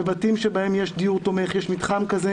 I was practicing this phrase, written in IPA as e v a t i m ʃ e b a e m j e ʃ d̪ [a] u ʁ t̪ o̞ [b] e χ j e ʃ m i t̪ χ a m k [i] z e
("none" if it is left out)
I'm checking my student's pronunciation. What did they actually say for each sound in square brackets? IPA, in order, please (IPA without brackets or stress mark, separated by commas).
i, m, a